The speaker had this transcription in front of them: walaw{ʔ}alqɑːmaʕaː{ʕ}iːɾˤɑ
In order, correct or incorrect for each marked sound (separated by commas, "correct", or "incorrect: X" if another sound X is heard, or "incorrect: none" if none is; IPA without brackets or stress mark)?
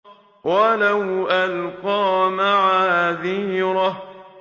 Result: correct, incorrect: ð